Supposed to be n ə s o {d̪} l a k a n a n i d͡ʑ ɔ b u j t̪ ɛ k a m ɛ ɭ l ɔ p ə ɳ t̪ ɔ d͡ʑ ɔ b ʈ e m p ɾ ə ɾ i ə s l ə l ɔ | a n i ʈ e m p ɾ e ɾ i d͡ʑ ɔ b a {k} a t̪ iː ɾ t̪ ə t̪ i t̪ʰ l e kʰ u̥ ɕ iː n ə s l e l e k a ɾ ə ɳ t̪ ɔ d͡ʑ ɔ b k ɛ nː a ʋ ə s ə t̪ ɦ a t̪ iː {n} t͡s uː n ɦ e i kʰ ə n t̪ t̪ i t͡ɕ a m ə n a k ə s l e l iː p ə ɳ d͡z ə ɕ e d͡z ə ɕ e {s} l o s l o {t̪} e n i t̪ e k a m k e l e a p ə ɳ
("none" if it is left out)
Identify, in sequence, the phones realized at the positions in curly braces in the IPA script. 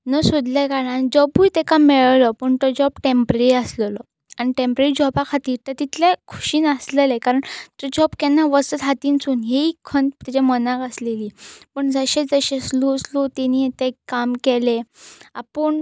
d̪, kʰ, n, s, t̪

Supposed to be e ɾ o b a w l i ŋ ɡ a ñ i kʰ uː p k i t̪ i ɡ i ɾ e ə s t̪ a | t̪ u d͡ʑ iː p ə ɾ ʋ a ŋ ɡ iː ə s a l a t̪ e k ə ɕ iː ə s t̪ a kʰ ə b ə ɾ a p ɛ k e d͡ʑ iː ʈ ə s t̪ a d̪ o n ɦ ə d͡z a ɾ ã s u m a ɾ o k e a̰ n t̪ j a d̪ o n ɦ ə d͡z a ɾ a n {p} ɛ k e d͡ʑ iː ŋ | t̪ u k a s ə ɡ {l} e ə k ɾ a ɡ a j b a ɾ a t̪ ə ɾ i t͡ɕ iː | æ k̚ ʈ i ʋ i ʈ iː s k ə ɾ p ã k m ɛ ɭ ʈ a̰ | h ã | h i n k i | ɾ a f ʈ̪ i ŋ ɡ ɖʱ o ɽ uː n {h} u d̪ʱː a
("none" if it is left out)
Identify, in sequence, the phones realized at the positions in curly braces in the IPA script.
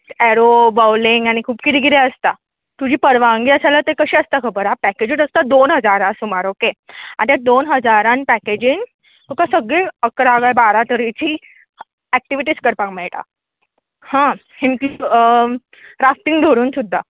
p, ɭ, s

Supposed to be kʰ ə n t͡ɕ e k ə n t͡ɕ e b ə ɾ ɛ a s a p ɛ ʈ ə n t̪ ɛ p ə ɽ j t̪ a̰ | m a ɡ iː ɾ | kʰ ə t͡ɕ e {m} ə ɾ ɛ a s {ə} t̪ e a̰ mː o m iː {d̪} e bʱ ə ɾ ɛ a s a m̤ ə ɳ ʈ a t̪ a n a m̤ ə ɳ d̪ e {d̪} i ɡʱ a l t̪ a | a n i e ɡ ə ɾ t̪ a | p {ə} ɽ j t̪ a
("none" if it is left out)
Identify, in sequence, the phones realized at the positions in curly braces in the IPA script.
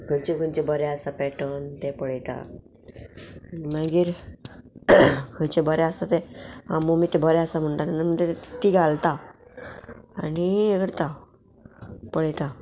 b, a, t̪, t̪, ə

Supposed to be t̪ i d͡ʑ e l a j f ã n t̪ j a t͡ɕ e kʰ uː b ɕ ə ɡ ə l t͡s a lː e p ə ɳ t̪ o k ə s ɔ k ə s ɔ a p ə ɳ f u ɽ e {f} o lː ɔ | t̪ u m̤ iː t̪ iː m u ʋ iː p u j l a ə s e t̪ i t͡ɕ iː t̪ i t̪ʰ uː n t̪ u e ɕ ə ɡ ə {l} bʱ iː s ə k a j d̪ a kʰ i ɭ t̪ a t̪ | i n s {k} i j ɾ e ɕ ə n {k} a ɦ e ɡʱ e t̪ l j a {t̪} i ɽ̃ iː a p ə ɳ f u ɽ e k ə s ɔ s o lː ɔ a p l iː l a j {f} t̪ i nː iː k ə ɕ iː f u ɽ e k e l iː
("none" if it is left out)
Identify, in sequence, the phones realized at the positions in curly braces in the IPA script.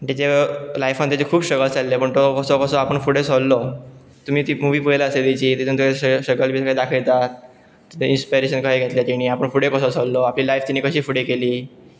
s, l, p, k, t̪, f

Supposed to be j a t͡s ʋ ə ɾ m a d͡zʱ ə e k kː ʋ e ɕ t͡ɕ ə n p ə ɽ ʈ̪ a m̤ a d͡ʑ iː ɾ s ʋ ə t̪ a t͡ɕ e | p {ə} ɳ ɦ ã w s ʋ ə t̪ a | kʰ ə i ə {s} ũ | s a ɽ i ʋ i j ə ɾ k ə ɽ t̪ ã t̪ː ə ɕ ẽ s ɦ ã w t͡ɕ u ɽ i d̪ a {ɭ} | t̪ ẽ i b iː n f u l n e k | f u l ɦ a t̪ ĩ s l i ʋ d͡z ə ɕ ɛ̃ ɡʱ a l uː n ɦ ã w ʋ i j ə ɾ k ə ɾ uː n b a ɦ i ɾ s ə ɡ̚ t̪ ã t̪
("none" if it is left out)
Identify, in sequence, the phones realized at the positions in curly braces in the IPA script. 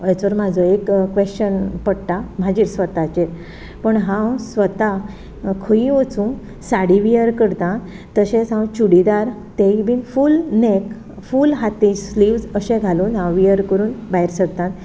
ə, t͡s, ɾ

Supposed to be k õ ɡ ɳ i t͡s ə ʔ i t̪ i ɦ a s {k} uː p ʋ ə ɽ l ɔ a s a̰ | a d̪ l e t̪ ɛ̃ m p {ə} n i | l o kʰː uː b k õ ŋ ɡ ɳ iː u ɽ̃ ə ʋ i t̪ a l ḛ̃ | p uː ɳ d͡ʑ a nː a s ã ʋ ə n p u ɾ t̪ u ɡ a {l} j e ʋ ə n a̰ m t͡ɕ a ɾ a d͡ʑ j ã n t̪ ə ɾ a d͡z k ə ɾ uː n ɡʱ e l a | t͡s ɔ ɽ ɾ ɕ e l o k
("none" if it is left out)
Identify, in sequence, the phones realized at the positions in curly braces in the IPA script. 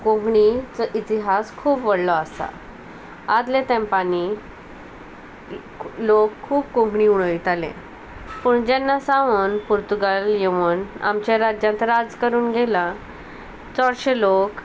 kʰ, a, l

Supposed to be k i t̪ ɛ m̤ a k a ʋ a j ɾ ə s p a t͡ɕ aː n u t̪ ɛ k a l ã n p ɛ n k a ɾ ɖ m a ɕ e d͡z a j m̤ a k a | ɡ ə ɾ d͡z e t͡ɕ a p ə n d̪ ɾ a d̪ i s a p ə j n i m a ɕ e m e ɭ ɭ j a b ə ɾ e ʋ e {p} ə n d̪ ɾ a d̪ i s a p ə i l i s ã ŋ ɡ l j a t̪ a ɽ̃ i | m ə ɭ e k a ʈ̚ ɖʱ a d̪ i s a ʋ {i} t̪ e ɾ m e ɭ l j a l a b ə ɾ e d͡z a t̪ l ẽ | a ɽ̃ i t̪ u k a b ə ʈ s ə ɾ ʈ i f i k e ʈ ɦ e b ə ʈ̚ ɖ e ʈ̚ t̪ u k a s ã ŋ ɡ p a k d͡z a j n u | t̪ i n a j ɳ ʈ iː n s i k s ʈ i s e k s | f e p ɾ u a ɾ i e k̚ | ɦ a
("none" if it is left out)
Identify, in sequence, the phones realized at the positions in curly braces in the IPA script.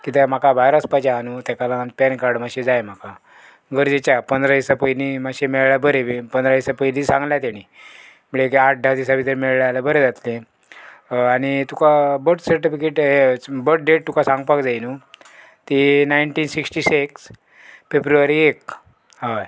p, i

